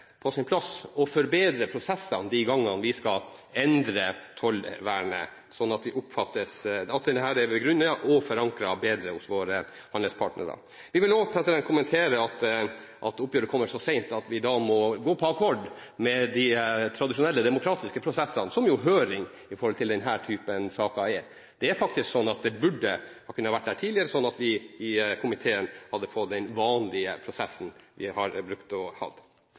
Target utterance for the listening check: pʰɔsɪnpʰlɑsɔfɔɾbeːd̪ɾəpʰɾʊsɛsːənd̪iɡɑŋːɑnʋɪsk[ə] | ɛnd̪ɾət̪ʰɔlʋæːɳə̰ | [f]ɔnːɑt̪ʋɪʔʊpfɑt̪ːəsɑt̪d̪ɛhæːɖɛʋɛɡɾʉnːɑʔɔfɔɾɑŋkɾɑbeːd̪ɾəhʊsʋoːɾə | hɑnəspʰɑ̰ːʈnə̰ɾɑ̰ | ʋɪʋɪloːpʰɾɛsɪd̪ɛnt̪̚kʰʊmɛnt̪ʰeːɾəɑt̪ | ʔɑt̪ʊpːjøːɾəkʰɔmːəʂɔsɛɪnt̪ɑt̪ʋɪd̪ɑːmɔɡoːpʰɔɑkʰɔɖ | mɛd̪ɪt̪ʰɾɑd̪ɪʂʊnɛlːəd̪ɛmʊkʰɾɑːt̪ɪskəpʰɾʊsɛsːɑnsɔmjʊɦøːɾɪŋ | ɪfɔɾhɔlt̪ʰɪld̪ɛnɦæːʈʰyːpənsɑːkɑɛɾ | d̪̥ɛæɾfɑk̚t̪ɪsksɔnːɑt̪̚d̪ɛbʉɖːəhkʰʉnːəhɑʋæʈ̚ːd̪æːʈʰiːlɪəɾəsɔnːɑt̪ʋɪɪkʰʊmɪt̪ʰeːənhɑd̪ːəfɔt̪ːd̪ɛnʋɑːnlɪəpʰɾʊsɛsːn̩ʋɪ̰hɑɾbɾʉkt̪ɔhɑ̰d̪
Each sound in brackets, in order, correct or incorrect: incorrect, incorrect

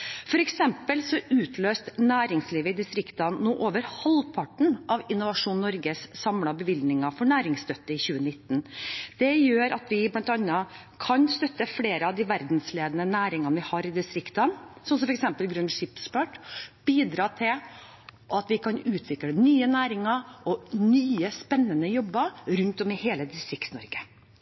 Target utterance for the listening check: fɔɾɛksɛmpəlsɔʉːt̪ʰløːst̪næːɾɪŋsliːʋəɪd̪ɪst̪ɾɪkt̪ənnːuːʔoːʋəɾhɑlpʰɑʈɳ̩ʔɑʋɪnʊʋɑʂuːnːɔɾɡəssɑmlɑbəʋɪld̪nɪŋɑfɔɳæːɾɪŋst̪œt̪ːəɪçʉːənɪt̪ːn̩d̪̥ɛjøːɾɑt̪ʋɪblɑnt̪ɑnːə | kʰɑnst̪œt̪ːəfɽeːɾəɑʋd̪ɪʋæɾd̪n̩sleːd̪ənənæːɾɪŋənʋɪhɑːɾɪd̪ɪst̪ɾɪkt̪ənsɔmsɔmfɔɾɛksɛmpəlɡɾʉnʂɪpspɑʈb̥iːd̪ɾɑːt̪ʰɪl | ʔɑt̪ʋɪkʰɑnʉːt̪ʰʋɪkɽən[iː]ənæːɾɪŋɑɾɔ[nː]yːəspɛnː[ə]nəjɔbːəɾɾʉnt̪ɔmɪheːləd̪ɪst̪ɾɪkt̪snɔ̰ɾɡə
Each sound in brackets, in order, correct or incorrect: incorrect, incorrect, correct

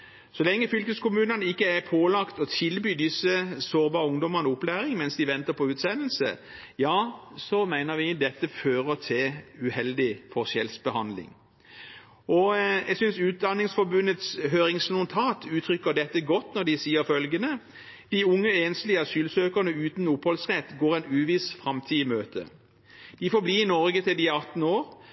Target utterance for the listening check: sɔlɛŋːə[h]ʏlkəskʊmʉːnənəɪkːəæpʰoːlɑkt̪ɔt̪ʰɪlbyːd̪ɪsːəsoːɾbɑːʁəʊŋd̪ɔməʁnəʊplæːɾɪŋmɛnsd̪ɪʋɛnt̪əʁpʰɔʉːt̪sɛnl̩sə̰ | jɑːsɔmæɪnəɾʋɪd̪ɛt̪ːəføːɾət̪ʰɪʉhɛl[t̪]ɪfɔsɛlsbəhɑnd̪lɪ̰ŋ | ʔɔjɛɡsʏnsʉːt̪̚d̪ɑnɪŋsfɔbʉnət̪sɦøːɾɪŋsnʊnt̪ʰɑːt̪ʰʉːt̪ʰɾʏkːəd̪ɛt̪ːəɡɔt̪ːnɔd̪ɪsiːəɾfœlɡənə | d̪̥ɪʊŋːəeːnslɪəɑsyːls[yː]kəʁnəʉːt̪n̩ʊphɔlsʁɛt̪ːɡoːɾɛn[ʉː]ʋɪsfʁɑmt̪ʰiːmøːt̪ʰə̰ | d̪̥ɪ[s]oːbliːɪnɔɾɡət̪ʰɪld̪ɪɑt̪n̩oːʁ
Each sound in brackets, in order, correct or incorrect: incorrect, incorrect, incorrect, correct, incorrect

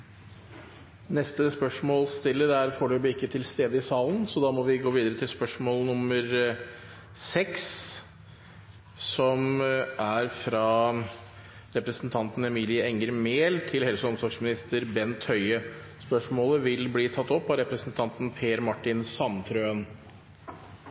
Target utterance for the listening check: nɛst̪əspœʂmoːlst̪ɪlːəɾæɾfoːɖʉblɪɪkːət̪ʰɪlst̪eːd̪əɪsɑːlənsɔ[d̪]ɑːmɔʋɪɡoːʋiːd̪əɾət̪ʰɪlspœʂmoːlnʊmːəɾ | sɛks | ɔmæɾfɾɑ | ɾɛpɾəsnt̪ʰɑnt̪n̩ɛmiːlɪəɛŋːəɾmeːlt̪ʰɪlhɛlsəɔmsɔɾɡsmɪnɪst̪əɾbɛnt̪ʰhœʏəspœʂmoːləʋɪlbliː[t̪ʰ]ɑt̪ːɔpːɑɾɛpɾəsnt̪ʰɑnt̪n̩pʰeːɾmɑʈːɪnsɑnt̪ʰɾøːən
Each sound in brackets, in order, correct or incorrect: correct, correct

